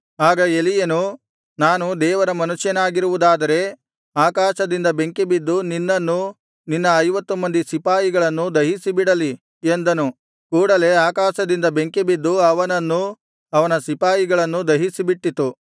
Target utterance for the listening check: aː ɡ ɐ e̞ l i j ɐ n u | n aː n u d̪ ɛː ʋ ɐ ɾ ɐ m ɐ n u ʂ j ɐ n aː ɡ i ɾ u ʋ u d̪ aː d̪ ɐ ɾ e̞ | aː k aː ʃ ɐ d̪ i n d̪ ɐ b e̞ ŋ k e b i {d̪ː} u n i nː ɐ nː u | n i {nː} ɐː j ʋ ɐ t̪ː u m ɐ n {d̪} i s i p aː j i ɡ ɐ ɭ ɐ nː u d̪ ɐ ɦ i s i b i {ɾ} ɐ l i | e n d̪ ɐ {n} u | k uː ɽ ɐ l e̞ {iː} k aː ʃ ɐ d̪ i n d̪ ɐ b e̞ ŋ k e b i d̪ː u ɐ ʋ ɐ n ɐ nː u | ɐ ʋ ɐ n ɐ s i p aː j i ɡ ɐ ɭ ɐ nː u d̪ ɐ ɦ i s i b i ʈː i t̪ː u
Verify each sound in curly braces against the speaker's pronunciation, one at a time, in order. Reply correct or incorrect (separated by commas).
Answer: correct, correct, correct, incorrect, correct, incorrect